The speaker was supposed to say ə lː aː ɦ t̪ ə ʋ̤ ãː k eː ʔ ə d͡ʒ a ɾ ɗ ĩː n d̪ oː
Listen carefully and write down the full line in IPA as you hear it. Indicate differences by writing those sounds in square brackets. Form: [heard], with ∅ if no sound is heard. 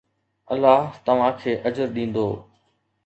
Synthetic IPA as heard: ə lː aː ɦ t̪ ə ʋ̤ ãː [kʰ] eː ʔ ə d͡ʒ [ə] ɾ ɗ ĩː n d̪ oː